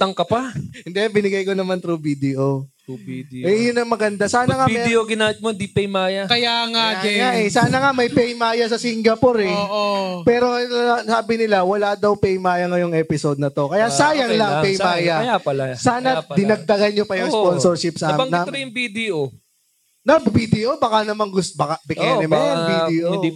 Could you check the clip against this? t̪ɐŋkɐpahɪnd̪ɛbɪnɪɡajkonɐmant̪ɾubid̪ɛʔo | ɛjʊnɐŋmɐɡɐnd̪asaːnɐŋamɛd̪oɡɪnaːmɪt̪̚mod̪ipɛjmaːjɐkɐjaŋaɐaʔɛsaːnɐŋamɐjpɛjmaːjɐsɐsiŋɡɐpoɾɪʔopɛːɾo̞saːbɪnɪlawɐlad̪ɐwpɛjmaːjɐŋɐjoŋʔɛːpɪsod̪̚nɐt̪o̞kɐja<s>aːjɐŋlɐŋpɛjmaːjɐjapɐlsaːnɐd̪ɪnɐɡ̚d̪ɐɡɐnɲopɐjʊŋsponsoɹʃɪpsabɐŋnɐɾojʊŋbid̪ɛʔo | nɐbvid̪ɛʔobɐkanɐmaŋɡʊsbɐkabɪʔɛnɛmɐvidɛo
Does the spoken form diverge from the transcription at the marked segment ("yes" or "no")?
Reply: no